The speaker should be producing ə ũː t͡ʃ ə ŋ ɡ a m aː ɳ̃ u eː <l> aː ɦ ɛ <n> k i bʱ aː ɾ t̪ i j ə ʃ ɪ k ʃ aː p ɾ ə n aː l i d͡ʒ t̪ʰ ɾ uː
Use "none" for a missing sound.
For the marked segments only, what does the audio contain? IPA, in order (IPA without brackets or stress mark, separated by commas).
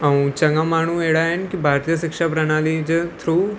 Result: ɽ, n